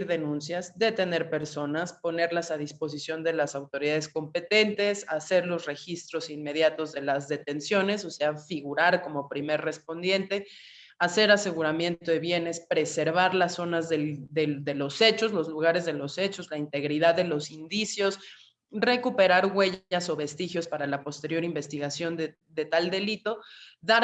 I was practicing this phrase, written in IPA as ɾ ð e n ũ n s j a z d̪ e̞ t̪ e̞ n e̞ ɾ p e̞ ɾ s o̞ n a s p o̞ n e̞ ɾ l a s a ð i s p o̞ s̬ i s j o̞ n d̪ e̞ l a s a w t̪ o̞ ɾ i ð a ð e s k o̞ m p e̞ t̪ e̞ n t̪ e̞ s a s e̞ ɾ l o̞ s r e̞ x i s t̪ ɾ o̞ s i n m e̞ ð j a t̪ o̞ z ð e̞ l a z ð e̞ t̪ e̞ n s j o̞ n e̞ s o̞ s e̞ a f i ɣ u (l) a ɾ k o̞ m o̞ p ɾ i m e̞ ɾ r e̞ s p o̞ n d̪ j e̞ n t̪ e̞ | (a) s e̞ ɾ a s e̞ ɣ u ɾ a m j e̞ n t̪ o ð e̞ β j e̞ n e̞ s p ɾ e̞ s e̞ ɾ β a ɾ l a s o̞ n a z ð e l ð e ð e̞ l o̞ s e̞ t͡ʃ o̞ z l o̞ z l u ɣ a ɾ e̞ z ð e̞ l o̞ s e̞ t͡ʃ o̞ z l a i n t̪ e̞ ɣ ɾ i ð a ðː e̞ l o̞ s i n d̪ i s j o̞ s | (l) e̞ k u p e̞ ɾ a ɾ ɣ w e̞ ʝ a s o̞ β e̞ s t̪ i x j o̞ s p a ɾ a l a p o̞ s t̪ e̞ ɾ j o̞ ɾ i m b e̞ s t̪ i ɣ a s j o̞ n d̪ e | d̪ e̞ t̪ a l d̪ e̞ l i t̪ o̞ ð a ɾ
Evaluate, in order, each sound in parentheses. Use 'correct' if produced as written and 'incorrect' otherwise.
incorrect: ɾ, correct, incorrect: r

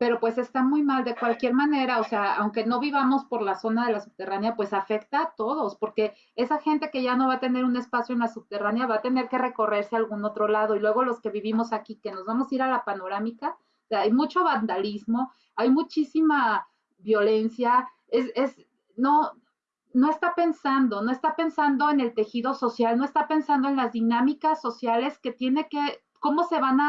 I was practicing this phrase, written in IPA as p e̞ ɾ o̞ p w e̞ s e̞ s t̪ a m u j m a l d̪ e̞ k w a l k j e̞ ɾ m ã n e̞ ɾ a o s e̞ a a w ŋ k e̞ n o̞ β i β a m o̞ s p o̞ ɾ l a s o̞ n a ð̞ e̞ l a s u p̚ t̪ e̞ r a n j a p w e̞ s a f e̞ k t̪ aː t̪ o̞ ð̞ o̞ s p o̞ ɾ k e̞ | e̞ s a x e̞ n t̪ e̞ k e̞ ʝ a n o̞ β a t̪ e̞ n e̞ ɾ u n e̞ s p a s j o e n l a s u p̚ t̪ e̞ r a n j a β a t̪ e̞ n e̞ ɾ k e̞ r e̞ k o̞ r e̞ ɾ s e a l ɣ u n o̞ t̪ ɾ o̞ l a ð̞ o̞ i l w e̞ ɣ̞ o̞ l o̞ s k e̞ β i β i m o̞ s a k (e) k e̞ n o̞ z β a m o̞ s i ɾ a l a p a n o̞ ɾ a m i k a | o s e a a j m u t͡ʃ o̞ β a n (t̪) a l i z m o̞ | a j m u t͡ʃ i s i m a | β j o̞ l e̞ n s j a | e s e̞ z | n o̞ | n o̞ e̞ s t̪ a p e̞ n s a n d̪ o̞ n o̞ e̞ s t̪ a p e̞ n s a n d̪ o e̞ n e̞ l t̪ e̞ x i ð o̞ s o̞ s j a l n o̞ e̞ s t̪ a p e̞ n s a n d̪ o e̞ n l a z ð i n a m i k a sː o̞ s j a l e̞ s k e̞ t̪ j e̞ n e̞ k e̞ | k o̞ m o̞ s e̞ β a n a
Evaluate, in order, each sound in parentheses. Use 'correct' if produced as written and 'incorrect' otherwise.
incorrect: i, incorrect: d̪

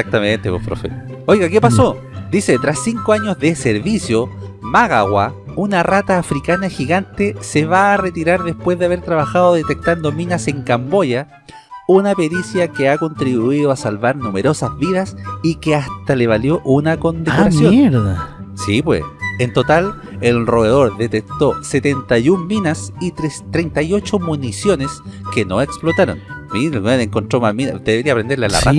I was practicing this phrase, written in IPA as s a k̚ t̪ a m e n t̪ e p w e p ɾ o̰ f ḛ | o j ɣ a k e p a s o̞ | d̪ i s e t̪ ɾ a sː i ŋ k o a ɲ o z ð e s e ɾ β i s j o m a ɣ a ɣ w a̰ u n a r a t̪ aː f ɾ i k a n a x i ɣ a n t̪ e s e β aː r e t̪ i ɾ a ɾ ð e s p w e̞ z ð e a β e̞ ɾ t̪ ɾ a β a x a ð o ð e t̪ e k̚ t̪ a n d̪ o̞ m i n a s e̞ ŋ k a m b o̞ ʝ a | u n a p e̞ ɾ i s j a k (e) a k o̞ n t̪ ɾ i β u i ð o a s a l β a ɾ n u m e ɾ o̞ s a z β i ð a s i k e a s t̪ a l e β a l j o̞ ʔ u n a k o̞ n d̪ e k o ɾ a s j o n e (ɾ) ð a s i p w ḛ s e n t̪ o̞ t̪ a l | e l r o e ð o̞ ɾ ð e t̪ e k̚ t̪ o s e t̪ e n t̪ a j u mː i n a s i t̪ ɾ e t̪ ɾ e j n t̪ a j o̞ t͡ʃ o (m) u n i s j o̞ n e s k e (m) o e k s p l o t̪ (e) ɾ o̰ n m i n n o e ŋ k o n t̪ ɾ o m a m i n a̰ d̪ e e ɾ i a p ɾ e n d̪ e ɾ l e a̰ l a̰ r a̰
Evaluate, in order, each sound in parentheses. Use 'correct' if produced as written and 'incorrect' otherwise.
correct, correct, correct, incorrect: n, incorrect: a

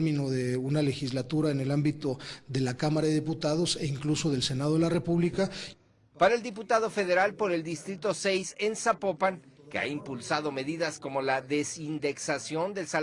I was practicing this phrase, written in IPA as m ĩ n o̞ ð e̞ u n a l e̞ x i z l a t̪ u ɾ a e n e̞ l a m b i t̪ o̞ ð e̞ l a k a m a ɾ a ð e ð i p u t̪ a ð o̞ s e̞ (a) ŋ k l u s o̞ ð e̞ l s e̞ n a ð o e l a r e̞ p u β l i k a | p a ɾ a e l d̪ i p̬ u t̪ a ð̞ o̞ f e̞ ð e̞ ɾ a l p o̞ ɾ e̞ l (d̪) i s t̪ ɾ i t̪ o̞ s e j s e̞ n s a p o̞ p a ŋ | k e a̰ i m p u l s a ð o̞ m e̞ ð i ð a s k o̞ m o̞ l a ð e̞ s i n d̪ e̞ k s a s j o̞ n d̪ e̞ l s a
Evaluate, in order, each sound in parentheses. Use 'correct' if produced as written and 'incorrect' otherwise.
incorrect: i, correct

